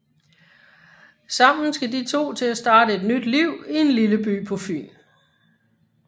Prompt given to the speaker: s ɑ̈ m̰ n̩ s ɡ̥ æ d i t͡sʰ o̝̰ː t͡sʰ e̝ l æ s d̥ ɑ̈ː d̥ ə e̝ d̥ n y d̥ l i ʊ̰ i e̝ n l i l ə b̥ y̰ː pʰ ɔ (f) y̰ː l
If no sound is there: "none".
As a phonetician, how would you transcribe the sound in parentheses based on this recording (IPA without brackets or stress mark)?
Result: f